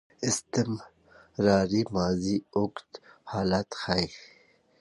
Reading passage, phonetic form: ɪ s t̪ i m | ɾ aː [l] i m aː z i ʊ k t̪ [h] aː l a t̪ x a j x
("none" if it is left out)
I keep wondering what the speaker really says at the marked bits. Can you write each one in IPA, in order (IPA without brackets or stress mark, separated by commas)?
ɾ, h